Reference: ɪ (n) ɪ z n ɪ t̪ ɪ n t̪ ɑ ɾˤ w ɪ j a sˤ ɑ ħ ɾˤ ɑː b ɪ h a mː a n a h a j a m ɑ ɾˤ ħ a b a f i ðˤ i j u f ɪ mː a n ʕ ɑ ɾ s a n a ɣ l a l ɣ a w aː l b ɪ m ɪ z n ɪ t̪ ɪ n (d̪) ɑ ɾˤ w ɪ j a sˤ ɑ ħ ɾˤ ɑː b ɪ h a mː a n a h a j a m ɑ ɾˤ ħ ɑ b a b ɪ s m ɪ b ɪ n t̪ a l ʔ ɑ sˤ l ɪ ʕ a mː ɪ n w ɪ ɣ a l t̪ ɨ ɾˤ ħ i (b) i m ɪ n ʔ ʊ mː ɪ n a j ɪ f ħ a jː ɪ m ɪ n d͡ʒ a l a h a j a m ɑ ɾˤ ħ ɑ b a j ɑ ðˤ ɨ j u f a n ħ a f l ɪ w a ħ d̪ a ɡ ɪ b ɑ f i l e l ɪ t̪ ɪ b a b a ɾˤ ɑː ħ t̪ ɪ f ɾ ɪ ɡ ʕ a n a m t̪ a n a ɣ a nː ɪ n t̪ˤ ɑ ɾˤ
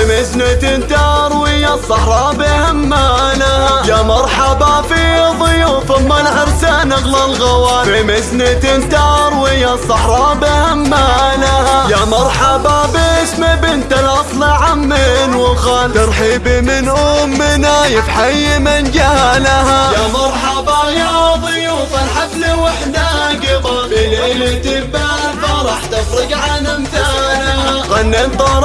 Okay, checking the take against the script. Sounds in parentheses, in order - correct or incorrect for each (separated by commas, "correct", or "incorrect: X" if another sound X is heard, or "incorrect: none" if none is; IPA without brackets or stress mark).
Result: incorrect: m, incorrect: t̪, correct